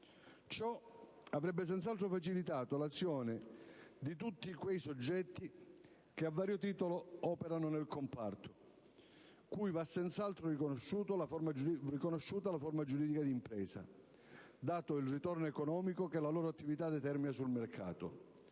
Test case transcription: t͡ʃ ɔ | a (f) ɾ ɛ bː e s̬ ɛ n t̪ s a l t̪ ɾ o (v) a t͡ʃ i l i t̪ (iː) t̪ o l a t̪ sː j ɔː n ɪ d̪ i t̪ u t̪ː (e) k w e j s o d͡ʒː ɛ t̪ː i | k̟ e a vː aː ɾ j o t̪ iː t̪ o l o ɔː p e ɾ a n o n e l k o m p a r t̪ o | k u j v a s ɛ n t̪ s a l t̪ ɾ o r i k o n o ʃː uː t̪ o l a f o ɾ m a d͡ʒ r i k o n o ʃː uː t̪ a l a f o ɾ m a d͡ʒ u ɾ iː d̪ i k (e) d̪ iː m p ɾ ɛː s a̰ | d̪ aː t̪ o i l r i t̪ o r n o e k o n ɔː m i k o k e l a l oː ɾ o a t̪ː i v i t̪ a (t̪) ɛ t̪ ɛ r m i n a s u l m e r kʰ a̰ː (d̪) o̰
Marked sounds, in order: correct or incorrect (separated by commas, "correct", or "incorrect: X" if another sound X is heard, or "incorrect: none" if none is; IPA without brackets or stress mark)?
incorrect: v, incorrect: f, incorrect: aː, incorrect: i, incorrect: a, incorrect: d̪, incorrect: t̪